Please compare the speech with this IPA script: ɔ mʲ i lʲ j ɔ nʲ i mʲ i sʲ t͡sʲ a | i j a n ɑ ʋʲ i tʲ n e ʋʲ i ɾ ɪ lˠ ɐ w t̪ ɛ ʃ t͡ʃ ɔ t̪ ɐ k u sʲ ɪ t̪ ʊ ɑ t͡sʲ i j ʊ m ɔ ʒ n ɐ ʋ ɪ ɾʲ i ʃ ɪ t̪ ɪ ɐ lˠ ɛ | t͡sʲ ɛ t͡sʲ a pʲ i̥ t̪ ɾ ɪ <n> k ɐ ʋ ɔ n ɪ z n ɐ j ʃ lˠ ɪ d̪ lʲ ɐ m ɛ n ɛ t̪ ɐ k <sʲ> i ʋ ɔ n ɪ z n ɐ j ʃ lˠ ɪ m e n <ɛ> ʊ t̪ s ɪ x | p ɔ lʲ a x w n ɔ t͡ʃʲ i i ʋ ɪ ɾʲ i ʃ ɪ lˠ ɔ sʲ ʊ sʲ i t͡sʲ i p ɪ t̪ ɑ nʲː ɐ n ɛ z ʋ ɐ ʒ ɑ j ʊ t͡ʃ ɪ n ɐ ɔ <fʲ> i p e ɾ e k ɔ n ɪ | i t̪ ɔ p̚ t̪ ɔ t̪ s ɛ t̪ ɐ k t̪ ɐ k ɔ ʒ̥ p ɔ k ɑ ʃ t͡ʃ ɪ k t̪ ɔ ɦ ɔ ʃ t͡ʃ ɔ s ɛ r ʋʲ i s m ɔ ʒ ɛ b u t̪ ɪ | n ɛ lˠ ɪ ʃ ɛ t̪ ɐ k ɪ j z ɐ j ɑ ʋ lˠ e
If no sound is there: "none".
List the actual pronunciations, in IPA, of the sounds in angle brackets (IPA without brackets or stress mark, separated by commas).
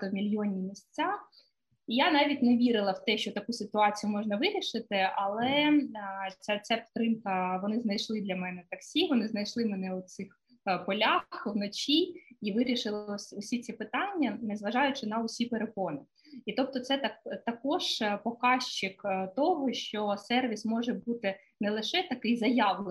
m, sʲ, ɛ, sʲ